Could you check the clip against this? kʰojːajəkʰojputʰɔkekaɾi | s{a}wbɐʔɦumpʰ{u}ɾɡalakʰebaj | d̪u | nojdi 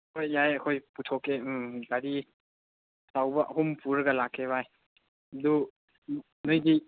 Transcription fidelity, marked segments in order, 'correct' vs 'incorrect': correct, correct

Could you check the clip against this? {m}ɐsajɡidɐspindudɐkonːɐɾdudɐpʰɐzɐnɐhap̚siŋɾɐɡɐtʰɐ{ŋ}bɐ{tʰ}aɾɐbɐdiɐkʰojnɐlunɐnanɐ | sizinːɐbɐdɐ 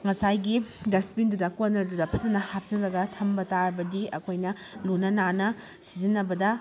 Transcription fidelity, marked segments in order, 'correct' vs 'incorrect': incorrect: ŋ, incorrect: m, incorrect: t

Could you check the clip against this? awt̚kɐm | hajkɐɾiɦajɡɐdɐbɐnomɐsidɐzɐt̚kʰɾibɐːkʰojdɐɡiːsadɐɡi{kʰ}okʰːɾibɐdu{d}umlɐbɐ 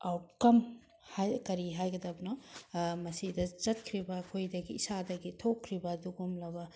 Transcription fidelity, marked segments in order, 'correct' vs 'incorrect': incorrect: tʰ, incorrect: ɡ

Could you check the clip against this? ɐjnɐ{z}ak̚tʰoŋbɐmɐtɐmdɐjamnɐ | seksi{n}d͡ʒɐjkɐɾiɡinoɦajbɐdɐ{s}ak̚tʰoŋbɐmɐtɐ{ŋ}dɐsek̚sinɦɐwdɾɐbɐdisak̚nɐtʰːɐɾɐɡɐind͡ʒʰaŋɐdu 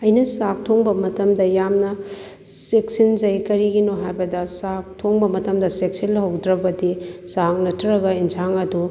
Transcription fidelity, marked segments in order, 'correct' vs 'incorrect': incorrect: s, correct, correct, incorrect: m

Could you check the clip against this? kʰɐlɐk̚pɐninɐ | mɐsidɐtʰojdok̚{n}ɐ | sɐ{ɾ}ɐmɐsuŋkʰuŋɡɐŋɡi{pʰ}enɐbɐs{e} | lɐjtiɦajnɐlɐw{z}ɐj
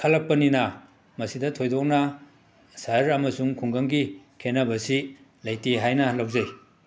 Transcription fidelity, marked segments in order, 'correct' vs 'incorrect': correct, correct, incorrect: kʰ, incorrect: i, correct

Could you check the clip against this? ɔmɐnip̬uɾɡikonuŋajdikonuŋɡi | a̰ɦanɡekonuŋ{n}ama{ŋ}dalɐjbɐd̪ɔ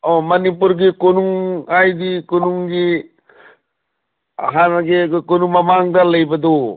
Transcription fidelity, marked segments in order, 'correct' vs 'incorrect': incorrect: m, correct

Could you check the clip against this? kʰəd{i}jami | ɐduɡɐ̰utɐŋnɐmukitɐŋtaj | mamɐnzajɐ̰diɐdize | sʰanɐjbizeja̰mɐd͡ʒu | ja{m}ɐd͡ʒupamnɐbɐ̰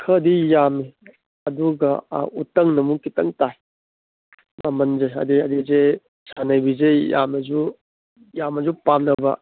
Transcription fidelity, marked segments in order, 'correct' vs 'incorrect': correct, correct

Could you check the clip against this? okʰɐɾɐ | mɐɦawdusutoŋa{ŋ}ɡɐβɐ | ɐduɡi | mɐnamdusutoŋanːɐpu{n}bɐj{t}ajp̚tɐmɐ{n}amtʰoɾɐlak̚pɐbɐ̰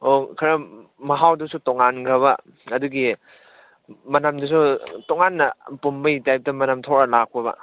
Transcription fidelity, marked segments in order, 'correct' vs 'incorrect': incorrect: n, incorrect: m, correct, correct

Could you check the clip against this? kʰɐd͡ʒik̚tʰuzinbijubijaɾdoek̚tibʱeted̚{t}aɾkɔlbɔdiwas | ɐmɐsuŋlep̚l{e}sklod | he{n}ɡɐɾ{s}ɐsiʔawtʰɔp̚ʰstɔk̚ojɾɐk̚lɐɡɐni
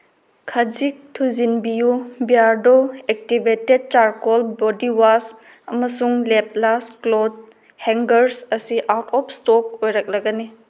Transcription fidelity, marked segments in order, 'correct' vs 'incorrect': incorrect: t͡ʃ, incorrect: a, incorrect: ŋ, correct

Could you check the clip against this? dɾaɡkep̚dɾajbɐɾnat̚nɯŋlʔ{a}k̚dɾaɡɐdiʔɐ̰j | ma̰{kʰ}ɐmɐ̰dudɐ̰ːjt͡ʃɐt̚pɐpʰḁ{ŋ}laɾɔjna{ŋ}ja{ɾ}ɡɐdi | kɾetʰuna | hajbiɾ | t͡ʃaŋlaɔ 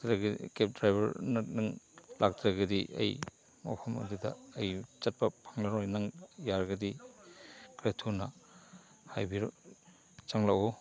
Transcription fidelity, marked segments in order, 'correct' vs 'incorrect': correct, incorrect: pʰ, correct, correct, correct

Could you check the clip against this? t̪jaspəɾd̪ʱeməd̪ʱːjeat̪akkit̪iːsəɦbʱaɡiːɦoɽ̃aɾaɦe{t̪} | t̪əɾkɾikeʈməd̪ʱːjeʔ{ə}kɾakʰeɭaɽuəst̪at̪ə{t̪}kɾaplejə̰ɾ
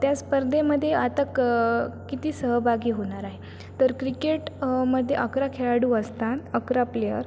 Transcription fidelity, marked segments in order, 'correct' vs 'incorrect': incorrect: none, correct, incorrect: none

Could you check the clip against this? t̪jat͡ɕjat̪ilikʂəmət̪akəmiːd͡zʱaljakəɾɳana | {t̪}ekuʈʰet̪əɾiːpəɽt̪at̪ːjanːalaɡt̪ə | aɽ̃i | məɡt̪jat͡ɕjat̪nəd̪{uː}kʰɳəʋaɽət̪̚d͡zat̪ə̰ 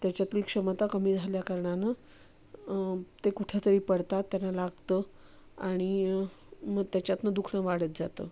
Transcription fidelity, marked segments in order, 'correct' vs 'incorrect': correct, incorrect: u

